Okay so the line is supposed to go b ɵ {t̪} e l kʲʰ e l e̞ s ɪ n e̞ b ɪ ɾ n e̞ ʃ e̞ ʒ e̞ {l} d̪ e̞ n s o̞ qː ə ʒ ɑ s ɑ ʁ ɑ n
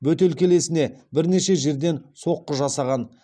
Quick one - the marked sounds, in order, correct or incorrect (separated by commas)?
correct, incorrect